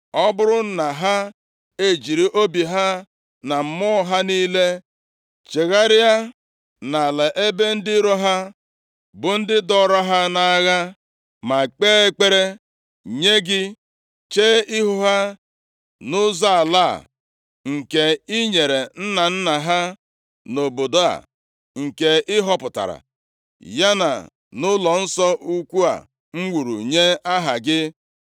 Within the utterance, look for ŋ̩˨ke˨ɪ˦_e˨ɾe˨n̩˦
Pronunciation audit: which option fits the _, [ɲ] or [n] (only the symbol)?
ɲ